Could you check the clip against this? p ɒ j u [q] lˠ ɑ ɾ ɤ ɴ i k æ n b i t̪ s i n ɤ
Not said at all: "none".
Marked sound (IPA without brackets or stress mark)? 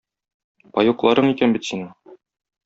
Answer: q